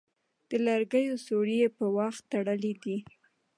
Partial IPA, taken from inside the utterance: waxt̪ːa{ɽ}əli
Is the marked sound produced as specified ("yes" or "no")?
yes